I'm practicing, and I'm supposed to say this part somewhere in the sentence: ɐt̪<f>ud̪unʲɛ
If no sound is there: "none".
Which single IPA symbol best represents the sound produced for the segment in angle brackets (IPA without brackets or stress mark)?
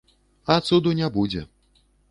s